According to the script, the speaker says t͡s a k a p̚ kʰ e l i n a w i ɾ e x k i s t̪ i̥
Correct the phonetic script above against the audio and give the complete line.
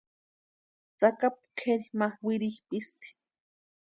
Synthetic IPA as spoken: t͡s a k a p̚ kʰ e ɾ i m a w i ɾ i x p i s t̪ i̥